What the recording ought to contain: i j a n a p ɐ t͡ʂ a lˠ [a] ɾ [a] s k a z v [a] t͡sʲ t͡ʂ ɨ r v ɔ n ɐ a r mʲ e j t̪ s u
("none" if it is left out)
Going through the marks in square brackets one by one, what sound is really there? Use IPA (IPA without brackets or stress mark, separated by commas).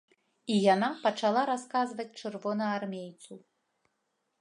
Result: a, a, ɐ